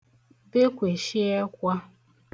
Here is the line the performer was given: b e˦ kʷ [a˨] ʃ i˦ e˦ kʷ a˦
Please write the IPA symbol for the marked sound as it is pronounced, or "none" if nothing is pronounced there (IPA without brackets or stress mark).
e˨